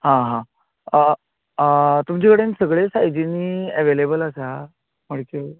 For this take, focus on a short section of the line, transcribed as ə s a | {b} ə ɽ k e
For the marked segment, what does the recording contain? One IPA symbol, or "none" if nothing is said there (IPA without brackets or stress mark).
m